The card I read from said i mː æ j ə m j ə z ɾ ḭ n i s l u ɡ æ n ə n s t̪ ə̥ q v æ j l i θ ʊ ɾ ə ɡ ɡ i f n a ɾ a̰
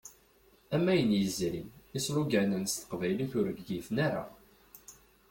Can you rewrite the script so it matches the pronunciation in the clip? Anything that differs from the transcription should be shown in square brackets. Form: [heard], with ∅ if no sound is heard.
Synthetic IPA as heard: [æ] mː æ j ə [n] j ə z ɾ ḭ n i s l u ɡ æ n ə n s t̪ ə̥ q v æ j l i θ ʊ ɾ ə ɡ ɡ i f n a ɾ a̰